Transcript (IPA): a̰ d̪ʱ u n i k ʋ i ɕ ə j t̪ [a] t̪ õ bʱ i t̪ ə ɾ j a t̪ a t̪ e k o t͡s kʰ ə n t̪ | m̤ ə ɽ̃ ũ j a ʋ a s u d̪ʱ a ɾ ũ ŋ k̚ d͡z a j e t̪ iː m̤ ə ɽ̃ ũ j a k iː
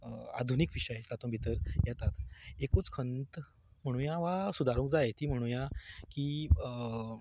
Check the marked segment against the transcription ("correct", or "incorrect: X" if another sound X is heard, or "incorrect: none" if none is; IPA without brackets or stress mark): correct